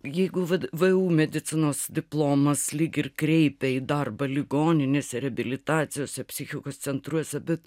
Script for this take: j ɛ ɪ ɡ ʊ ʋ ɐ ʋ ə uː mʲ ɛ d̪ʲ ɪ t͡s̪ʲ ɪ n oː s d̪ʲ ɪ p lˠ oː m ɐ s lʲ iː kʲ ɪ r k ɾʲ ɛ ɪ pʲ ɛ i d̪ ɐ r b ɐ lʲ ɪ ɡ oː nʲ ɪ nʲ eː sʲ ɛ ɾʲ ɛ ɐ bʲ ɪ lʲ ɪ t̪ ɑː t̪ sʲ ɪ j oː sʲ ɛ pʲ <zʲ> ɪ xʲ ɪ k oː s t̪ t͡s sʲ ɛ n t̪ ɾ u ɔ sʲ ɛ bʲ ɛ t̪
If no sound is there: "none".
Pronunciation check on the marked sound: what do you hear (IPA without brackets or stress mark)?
sʲ